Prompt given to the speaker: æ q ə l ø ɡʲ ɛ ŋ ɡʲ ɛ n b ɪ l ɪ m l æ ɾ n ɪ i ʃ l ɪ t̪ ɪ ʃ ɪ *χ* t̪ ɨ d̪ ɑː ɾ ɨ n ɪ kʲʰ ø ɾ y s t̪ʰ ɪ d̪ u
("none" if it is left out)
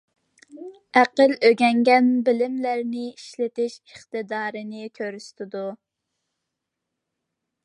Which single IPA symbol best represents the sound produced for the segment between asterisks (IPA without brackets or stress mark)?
χ